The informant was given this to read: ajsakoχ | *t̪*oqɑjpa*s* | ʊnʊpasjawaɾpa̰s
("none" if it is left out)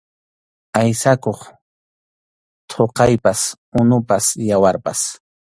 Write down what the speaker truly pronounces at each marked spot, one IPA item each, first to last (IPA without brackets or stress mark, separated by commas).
t̪ʰ, s